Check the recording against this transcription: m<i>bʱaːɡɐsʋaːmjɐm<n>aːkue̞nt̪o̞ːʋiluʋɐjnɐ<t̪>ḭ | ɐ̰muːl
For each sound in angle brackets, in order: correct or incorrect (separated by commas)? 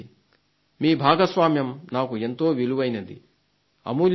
incorrect, correct, incorrect